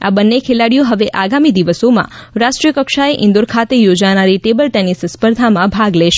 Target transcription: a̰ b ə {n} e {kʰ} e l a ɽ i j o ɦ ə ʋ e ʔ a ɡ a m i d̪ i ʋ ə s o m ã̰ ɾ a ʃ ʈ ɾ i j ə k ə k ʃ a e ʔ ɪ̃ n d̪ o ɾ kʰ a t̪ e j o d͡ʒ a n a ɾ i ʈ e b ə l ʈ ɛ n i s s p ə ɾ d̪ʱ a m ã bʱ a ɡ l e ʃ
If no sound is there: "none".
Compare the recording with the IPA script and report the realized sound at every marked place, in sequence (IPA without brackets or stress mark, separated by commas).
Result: nː, kʰ